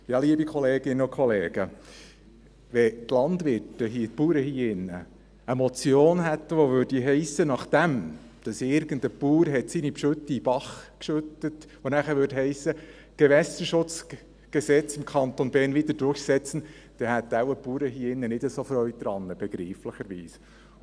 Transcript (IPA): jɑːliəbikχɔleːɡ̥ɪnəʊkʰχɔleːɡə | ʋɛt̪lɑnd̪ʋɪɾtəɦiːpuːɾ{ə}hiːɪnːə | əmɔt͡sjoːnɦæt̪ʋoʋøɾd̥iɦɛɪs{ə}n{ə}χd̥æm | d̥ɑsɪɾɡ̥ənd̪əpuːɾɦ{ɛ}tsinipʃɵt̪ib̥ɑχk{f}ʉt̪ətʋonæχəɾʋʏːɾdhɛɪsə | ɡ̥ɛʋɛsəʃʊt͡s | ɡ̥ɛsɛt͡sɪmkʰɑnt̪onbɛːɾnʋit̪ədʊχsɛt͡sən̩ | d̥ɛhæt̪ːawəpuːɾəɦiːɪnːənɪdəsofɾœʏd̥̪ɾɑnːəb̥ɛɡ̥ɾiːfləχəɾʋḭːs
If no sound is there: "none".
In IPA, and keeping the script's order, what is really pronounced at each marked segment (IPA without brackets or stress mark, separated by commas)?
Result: ə, ə, ɑ, ɛ, ʃ